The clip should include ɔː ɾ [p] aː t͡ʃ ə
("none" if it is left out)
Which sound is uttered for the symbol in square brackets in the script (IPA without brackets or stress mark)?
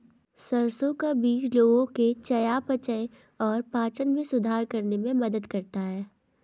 p